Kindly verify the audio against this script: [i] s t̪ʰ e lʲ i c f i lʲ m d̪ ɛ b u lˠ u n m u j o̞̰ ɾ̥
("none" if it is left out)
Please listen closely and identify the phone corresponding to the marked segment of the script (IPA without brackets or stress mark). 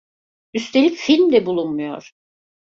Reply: y